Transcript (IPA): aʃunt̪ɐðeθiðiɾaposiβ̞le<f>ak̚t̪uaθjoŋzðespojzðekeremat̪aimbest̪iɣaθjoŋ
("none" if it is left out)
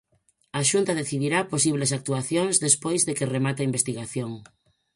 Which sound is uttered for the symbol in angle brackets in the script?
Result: s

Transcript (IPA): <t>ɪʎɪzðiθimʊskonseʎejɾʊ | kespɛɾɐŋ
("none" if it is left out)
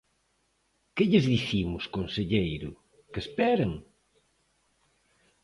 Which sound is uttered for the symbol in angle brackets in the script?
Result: k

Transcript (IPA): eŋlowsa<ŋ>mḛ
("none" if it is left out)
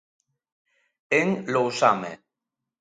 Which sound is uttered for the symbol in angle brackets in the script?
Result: none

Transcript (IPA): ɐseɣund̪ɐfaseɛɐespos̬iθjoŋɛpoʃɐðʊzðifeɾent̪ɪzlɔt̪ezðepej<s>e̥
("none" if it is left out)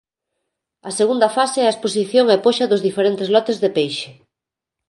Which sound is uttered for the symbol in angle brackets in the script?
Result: ʃ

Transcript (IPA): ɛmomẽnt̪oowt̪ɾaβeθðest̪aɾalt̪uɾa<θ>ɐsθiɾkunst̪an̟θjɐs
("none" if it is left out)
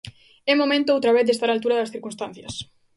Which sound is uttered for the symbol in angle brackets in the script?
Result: ð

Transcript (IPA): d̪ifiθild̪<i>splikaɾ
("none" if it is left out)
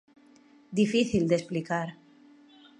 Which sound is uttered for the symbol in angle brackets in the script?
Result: e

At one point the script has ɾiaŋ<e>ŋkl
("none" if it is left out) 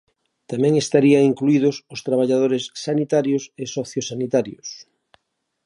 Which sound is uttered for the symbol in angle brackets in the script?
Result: i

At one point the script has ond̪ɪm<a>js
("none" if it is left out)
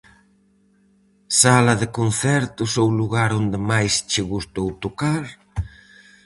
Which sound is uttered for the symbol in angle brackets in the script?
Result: a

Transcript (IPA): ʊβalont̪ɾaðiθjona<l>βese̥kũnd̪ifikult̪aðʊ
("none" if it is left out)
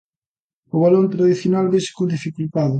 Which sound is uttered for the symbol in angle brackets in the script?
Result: l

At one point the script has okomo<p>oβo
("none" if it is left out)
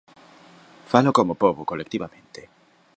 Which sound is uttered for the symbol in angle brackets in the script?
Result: p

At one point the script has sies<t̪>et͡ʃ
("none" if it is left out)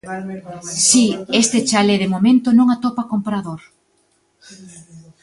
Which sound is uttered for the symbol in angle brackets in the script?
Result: t̪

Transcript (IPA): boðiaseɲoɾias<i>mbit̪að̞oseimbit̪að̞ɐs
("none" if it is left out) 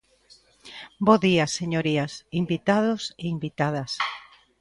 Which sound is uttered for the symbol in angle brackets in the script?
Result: i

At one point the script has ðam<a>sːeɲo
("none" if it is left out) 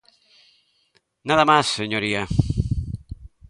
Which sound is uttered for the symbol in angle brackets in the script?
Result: a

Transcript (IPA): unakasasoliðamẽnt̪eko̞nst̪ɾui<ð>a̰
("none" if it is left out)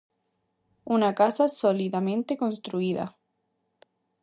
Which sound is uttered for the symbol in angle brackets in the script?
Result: ð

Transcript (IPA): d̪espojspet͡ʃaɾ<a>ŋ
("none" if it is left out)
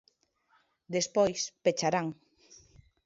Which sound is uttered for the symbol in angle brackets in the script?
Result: a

